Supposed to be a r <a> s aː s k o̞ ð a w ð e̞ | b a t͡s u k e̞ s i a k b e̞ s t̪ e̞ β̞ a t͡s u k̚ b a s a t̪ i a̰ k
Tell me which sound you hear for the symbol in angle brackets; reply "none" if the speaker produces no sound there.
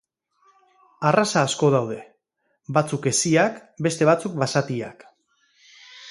a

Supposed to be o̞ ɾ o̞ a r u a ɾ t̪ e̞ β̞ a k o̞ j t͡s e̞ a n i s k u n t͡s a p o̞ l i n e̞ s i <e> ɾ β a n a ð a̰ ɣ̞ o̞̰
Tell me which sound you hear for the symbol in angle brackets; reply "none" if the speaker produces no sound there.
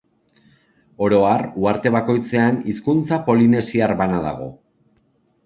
a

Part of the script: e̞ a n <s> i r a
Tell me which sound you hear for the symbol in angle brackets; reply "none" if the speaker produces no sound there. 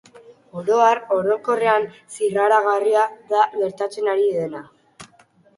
s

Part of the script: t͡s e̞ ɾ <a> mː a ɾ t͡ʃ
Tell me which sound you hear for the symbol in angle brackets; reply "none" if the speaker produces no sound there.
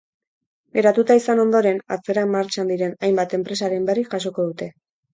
a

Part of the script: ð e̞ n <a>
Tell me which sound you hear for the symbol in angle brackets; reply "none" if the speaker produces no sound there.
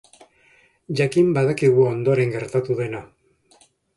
a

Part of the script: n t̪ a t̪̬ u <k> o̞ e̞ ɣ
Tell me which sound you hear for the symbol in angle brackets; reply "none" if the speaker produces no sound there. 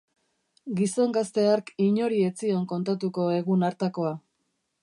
k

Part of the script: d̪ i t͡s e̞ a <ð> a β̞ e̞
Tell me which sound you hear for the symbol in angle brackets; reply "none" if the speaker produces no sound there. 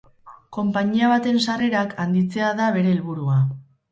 ð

